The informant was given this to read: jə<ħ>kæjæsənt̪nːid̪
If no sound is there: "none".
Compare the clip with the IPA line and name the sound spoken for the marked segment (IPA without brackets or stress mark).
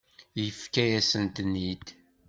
f